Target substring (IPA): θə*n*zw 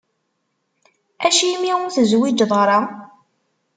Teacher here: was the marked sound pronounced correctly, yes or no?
no